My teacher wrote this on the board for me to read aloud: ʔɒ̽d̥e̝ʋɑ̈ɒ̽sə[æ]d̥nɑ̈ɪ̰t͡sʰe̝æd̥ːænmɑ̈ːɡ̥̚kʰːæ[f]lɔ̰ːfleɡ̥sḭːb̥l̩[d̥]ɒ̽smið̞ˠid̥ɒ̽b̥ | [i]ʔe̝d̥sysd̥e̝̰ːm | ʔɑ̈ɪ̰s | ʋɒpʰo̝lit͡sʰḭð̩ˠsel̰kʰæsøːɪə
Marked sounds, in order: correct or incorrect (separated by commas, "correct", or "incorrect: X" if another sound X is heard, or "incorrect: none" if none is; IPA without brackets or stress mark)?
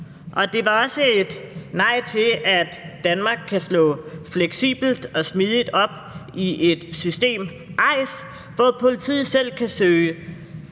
incorrect: e, incorrect: s, correct, correct